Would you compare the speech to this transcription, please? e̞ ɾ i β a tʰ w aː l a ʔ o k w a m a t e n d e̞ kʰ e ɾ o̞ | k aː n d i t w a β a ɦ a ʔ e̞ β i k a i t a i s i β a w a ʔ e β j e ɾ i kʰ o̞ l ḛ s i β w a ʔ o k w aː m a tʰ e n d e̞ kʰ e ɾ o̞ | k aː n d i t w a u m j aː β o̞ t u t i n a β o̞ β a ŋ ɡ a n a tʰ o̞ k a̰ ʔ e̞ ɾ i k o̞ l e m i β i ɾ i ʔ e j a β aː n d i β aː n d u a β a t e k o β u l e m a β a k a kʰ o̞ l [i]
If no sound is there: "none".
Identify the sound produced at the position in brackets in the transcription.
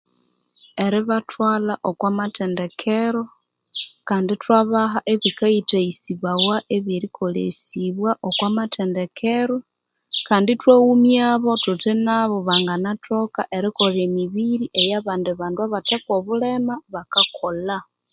a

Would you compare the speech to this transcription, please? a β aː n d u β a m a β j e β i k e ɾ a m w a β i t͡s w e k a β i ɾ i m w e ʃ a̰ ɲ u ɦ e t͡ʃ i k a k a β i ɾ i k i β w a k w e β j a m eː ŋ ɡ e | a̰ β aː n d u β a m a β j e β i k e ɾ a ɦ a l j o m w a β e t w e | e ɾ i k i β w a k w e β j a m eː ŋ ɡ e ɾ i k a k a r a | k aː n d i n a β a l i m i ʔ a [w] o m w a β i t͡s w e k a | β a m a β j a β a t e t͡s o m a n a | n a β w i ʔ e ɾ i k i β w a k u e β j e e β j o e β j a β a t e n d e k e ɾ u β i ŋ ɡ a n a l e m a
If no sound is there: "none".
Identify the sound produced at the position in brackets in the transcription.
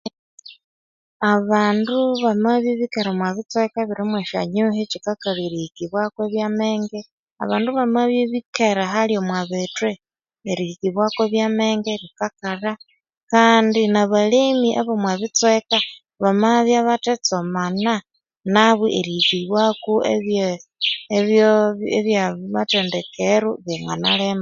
β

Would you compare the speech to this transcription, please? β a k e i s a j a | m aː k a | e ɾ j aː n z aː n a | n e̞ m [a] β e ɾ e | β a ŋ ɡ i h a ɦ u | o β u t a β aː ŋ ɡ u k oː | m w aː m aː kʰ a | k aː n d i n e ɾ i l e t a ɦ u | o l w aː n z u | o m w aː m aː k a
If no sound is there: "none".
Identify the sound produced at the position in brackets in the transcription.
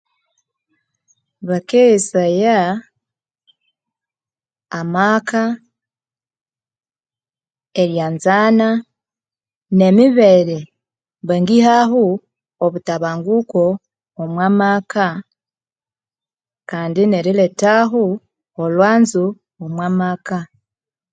i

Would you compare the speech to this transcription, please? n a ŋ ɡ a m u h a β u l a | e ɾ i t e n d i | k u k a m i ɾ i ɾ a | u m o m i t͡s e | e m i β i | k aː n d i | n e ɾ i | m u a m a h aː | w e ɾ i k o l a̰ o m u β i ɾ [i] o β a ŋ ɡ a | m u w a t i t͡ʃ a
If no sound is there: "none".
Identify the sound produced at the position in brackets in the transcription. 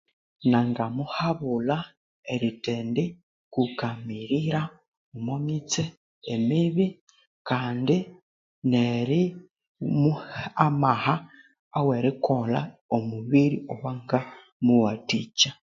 i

